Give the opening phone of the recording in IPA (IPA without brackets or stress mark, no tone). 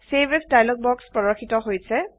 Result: s